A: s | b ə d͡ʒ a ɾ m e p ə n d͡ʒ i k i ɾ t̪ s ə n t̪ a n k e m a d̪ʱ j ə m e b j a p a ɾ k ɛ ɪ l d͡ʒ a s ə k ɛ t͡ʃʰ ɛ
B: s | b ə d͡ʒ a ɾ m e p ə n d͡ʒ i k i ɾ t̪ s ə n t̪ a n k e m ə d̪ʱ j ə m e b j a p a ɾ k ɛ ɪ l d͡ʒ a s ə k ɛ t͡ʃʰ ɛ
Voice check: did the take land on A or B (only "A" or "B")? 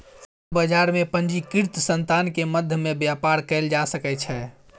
B